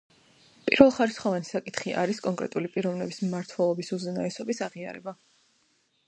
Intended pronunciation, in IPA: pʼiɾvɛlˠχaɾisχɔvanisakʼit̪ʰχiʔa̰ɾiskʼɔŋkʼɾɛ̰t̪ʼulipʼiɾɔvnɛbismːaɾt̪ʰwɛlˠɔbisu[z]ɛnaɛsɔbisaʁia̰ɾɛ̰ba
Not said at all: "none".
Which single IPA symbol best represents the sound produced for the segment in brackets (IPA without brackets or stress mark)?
z